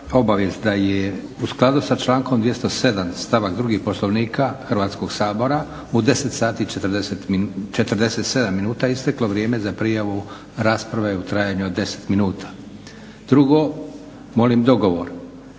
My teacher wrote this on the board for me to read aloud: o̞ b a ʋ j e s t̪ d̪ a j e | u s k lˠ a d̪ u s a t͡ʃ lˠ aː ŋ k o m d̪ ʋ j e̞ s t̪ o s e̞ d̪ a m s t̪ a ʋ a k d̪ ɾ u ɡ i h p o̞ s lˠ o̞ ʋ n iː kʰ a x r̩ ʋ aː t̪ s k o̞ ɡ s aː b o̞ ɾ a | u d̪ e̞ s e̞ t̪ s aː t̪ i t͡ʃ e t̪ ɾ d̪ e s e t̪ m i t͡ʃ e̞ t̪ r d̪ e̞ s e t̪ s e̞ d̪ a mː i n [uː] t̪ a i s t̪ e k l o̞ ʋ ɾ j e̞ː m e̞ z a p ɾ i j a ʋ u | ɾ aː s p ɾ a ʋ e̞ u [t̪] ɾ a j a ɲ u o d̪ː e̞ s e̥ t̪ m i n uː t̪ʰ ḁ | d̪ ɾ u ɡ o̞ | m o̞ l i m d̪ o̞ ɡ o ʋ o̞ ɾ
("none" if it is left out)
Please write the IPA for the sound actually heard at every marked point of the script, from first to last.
uː, t̪

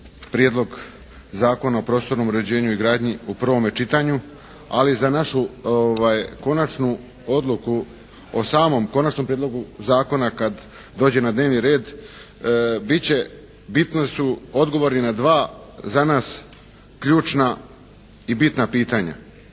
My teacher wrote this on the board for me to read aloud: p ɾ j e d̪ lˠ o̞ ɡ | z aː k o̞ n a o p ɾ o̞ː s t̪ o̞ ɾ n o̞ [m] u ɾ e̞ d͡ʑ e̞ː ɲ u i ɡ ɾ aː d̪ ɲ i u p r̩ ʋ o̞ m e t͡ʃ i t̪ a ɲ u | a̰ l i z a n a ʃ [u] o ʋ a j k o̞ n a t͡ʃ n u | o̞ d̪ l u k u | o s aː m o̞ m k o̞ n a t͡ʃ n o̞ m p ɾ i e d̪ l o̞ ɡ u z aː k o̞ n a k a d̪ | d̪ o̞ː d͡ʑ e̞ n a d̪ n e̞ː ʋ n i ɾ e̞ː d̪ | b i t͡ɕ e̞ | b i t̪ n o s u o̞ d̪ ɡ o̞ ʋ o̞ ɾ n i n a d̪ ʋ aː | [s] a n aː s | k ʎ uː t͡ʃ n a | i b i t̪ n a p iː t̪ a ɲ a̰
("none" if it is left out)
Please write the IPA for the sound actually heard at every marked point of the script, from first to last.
m, u, z

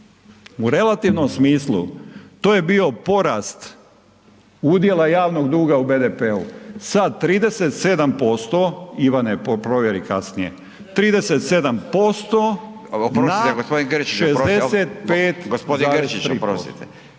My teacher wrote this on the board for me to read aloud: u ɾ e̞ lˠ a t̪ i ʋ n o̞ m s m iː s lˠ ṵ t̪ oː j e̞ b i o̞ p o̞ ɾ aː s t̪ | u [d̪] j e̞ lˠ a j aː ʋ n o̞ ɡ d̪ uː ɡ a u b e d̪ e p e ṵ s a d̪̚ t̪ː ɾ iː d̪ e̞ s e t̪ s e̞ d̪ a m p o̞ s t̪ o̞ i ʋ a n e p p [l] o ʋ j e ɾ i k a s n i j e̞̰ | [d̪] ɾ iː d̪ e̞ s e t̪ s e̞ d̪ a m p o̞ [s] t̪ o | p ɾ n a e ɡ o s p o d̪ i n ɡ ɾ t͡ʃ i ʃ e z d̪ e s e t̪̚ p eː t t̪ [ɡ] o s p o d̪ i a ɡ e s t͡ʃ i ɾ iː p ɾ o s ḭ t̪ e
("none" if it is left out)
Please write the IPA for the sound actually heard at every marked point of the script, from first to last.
d̪, ɾ, t̪, s, ɡ

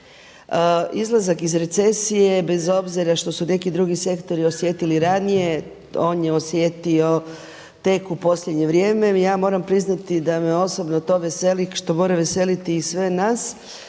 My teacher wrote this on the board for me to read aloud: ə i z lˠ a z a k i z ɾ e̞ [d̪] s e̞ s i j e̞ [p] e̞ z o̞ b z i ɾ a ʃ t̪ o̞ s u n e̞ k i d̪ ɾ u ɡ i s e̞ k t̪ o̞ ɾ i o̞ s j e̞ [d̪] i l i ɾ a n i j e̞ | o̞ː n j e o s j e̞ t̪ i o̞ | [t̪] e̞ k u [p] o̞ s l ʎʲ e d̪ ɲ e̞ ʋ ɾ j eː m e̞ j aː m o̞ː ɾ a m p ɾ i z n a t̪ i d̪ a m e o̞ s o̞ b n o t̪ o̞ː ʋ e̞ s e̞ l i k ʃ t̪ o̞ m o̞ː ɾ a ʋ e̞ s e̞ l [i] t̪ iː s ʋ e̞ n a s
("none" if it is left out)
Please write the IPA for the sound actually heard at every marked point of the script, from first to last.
t̪, b, t̪, t̪, p, i

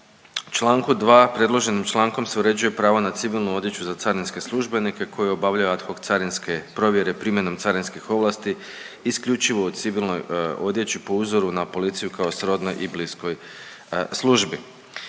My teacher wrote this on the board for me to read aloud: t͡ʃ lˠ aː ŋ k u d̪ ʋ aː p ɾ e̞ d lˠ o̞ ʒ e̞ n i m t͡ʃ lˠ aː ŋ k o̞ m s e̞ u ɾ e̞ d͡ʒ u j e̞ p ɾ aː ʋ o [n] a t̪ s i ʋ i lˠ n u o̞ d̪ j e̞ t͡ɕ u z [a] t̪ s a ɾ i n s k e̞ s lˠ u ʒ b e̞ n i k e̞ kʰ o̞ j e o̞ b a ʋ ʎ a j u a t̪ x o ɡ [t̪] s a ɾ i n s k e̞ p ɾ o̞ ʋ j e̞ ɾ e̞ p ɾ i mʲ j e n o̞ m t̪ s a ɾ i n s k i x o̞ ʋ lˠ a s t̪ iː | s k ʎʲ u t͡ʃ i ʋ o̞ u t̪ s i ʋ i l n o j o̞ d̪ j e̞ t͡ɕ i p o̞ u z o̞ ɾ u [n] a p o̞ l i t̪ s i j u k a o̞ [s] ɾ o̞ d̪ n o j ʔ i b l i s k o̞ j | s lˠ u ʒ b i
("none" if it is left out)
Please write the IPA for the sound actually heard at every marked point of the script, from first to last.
n, a, t̪, n, s

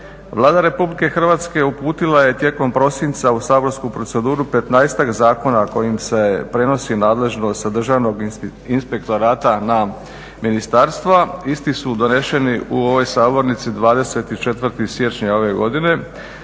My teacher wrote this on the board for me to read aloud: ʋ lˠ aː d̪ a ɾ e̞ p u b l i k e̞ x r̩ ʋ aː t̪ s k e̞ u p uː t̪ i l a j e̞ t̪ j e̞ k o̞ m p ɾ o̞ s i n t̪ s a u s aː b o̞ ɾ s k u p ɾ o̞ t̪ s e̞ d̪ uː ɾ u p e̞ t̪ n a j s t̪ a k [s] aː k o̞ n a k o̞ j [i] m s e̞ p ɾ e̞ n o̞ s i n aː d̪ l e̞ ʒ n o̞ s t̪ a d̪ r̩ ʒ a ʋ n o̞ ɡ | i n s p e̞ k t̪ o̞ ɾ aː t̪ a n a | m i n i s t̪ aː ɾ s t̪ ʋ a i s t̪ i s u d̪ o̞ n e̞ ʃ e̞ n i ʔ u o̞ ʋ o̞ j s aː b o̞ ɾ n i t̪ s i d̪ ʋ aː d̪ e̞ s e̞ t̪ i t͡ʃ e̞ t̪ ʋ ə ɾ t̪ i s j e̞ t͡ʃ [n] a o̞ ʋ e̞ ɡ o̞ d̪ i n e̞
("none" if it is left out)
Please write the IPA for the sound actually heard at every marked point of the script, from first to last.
z, i, ɲ

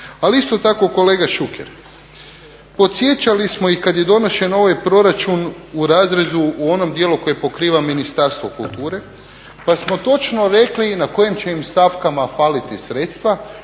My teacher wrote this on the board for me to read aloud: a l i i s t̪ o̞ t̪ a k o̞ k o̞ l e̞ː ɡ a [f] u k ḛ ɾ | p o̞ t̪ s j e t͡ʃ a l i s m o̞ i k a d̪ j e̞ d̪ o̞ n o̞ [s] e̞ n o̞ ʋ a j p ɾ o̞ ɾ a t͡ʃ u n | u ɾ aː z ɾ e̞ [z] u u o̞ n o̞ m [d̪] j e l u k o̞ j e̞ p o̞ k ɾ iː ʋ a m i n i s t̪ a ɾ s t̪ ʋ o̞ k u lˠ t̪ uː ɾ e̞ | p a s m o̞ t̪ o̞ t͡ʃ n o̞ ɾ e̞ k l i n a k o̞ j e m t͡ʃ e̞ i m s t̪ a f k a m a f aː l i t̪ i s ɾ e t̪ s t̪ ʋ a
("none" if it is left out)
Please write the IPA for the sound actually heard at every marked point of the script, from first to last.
ʃ, ʃ, z, d̪

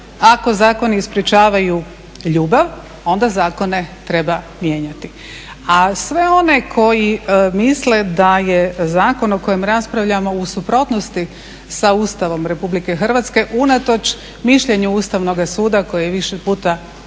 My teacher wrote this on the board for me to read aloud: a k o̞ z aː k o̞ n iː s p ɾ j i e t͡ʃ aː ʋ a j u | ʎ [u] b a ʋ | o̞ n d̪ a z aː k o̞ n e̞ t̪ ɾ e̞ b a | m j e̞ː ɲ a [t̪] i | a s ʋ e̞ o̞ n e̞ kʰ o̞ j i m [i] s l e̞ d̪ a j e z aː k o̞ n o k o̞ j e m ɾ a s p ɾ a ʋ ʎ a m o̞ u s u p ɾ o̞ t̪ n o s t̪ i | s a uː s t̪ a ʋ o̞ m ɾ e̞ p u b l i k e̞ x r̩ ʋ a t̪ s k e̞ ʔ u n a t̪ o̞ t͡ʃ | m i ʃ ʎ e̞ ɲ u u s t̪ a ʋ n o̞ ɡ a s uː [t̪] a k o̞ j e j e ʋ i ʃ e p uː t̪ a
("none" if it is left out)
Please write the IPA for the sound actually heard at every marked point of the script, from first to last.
uː, t̪, i, d̪

